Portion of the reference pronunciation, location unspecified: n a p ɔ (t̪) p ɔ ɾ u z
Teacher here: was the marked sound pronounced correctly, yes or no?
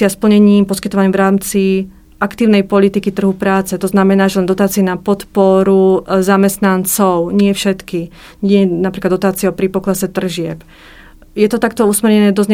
yes